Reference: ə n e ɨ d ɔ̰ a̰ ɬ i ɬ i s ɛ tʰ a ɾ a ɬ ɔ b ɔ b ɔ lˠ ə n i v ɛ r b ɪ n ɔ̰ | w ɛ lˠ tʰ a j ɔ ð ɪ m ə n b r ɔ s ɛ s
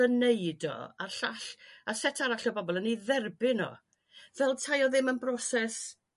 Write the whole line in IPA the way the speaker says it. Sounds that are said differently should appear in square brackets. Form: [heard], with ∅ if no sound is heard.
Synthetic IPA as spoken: ə n e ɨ d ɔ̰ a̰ ɬ [a] ɬ [a] s ɛ tʰ a ɾ a ɬ ɔ b ɔ b ɔ lˠ ə n i [ð] ɛ r b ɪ n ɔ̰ | [v] ɛ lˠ tʰ a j ɔ ð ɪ m ə n b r ɔ s ɛ s